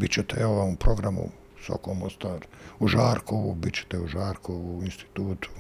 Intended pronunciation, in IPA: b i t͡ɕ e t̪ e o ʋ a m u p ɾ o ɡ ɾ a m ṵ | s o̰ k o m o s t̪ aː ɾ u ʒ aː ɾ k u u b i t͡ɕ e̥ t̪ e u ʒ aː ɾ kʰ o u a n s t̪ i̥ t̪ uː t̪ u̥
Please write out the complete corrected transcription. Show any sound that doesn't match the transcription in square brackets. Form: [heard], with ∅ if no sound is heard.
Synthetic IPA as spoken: b i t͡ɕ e t̪ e o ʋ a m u p ɾ o ɡ ɾ a m ṵ | s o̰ k o m o s t̪ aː ɾ u ʒ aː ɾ k [o] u b i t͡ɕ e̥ t̪ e u ʒ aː ɾ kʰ o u [i] n s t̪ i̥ t̪ uː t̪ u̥